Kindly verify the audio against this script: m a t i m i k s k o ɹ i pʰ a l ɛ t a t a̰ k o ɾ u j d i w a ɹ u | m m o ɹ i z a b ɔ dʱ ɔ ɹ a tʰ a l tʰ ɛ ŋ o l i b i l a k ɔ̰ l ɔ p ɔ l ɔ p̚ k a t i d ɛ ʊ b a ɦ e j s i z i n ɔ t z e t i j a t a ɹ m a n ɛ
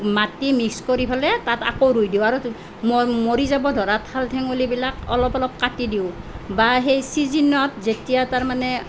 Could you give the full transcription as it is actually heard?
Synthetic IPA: m a t i m i k s k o ɹ i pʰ a l ɛ t a t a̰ k o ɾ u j d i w a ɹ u | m m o ɹ i z a b ɔ dʱ ɔ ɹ a tʰ a l tʰ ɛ ŋ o l i b i l a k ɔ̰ l ɔ p ɔ l ɔ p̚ k a t i d i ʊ b a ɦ e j s i z i n ɔ t z e t i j a t a ɹ m a n ɛ

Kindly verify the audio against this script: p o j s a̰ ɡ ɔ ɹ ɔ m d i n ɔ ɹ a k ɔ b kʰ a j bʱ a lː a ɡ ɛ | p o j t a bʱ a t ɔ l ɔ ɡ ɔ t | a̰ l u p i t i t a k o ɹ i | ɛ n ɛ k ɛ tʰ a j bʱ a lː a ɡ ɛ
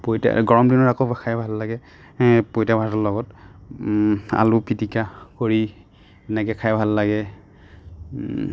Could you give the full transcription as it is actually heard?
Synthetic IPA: p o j t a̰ ɡ ɔ ɹ ɔ m d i n ɔ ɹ a k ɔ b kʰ a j bʱ a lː a ɡ ɛ | p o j t a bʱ a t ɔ l ɔ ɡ ɔ t | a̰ l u p i t i k a k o ɹ i | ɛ n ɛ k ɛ kʰ a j bʱ a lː a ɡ ɛ

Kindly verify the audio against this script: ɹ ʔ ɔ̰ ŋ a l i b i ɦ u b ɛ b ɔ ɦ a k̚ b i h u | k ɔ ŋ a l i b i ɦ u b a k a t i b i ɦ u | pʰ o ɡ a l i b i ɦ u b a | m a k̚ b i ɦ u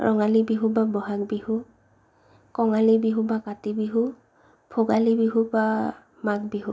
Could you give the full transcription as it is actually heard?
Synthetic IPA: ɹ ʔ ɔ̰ ŋ a l i b i ɦ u b a b ɔ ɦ a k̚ b i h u | k ɔ ŋ a l i b i ɦ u b a k a t i b i ɦ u | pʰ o ɡ a l i b i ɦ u b a | m a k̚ b i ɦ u

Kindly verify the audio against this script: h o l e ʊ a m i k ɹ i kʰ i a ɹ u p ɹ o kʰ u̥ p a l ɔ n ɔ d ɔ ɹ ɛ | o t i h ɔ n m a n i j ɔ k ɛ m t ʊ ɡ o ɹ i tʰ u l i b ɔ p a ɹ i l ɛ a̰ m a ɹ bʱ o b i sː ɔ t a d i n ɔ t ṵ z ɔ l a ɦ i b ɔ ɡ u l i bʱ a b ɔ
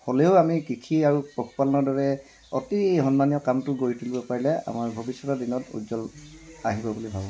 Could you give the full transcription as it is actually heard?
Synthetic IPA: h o l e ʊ a m i k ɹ i kʰ i a ɹ u p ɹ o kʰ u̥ p a l ɔ n ɔ d ɔ ɹ ɛ | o t i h ɔ n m a n i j ɔ k a m t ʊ ɡ o ɹ i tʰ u l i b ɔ p a ɹ i l ɛ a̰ m a ɹ bʱ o b i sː ɔ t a d i n ɔ t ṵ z ɔ l a ɦ i b ɔ b u l i bʱ a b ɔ

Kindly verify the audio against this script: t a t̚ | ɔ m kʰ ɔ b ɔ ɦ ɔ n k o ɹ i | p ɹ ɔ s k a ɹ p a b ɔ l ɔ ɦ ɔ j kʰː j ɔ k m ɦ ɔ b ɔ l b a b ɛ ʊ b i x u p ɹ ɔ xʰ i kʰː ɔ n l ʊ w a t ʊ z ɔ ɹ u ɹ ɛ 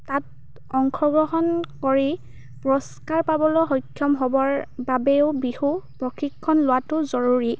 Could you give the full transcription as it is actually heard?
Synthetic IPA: t a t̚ | ɔ ŋ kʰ ɔ ɡ ɔ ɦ ɔ n k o ɹ i | p ɹ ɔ s k a ɹ p a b ɔ l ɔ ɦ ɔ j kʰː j ɔ m ɦ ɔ b ɔ ɹ b a b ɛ ʊ b i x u p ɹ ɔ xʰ i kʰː ɔ n l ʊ w a t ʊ z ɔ ɹ u ɹ i

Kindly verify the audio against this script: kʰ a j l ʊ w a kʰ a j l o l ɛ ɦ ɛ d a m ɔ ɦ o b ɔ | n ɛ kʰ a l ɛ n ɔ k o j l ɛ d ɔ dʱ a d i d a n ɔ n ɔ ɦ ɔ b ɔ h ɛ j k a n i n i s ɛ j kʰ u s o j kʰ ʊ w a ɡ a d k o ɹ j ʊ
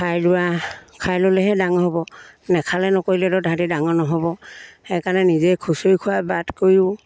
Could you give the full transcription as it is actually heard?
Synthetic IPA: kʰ a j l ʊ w a kʰ a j l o l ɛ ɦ ɛ d a ŋ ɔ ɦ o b ɔ | n ɛ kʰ a l ɛ n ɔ k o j l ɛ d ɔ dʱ a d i d a ŋ ɔ n ɔ ɦ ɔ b ɔ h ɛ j k a n ɛ n i z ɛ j kʰ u s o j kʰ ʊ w a b a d k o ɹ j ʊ

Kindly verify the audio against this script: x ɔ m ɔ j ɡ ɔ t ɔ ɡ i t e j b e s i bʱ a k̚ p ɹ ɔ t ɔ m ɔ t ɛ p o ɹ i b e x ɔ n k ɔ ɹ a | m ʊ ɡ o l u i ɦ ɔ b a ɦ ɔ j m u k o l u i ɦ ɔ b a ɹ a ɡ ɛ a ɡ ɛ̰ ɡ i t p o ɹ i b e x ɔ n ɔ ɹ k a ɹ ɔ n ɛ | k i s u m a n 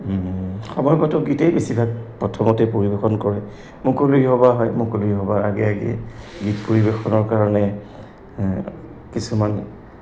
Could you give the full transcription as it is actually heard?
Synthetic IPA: x ɔ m ɔ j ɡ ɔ t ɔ ɡ i t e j b e s i bʱ a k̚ p ɹ ɔ tʰ ɔ m ɔ t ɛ p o ɹ i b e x ɔ n k ɔ ɹ ɛ | m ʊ k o l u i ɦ ɔ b a ɦ ɔ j m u k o l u i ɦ ɔ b a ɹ a ɡ ɛ a ɡ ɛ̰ ɡ i t p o ɹ i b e x ɔ n ɔ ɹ k a ɹ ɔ n ɛ | k i s u m a n

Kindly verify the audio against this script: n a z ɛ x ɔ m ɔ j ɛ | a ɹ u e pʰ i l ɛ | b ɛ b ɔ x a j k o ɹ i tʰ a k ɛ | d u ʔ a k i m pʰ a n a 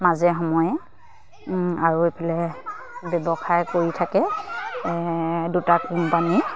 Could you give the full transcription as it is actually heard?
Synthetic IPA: m a z ɛ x ɔ m ɔ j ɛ | a ɹ u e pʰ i l ɛ | b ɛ b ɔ x a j k o ɹ i tʰ a k ɛ | d u t a k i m p a n i

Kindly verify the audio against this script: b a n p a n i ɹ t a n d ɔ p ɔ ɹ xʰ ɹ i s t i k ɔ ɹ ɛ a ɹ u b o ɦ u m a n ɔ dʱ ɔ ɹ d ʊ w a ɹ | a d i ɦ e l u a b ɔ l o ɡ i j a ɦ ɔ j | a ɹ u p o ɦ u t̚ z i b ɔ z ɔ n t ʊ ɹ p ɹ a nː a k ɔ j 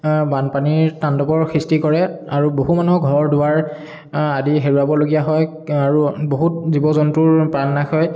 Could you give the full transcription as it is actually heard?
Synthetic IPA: b a n p a n i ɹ t a n d ɔ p ɔ ɹ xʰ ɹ i s t i k ɔ ɹ ɛ a ɹ u b o ɦ u m a n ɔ ɡʱ ɔ ɹ d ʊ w a ɹ | a d i ɦ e ɹ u a b ɔ l o ɡ i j a ɦ ɔ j | a ɹ u b o ɦ u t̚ z i b ɔ z ɔ n t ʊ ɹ p ɹ a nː a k ɔ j

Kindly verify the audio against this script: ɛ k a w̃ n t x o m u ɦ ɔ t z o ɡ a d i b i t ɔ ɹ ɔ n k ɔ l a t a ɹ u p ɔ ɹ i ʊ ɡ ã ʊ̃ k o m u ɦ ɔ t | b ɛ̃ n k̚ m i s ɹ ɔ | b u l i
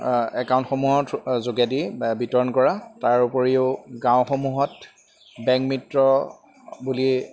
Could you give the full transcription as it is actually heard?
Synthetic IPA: ɛ k a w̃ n t x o m u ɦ ɔ t z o ɡ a d i b i t ɔ ɹ ɔ n k ɔ ɹ a t a ɹ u p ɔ ɹ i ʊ ɡ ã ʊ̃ x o m u ɦ ɔ t | b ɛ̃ ŋ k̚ m i t ɹ ɔ | b u l i

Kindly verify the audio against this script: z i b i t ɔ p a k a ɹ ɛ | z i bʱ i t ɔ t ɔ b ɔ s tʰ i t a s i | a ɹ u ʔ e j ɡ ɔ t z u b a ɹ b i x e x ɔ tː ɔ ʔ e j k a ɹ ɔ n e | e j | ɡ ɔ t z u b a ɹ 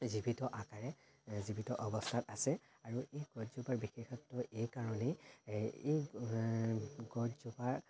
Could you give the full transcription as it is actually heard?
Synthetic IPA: z i b i t ɔ ʔ a k a ɹ ɛ | z i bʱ i t ɔ ʔ ɔ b ɔ s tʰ a t a s ɛ | a ɹ u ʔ e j ɡ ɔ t z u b a ɹ b i x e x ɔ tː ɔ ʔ e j k a ɹ ɔ n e | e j | ɡ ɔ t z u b a ɹ

